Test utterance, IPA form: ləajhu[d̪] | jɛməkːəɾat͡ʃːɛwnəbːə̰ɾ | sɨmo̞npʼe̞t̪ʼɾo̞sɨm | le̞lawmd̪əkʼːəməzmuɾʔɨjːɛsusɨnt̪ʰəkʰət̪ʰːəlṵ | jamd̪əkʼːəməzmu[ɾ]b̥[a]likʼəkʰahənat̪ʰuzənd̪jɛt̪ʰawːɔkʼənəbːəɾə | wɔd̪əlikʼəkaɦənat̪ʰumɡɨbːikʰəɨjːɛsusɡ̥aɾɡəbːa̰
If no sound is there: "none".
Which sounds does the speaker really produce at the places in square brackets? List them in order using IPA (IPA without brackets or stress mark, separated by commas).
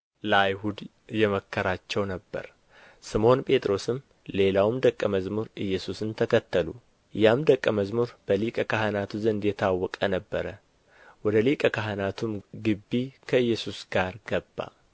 d̪, ɾ, ə